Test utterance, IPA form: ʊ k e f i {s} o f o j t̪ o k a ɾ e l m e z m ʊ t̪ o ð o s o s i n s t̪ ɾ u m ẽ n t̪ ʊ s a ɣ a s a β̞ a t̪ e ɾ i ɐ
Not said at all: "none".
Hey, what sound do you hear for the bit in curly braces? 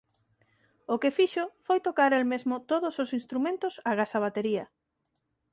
ʃ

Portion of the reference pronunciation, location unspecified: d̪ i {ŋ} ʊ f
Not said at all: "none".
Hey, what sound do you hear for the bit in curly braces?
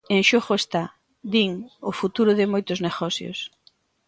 ŋ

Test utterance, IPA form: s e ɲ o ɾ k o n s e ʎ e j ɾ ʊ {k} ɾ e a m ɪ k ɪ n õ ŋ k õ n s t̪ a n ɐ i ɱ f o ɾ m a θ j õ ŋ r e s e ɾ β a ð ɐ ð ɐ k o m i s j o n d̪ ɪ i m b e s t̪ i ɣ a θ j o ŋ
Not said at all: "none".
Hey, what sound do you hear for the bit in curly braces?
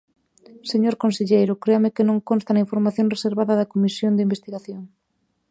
k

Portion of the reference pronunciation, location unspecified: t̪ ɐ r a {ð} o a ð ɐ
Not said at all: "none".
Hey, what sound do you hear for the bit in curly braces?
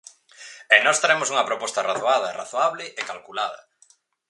θ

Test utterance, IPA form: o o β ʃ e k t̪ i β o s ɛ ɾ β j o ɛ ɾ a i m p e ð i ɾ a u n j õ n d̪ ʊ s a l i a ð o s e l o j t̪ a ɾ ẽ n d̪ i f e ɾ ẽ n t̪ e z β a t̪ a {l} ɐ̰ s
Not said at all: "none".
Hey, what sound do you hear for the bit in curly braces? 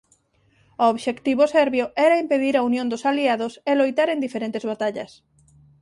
ʎ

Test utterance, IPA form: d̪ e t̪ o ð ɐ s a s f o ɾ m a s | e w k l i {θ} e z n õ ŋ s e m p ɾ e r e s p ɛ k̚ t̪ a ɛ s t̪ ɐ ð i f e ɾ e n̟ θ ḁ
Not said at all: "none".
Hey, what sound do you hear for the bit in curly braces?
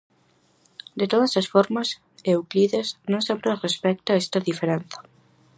ð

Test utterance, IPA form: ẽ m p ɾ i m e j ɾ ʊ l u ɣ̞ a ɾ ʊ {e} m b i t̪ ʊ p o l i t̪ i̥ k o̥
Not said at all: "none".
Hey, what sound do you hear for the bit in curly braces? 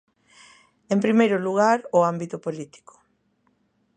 a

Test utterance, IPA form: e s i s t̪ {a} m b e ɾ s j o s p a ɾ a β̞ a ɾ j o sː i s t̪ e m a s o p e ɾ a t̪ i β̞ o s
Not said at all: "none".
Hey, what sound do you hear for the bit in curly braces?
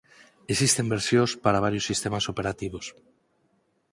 e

